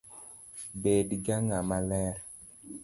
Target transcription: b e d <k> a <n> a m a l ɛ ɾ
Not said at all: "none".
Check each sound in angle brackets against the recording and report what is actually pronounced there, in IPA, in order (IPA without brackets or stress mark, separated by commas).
ɡ, ŋ